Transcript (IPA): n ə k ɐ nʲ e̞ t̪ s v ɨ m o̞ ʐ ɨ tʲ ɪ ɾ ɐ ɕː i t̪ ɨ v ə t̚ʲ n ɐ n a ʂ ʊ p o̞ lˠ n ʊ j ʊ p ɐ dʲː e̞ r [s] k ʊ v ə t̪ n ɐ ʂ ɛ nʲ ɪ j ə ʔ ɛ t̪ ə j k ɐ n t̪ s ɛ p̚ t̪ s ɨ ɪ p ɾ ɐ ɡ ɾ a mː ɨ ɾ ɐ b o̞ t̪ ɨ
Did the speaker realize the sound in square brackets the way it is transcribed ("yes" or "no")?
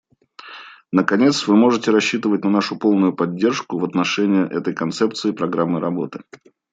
no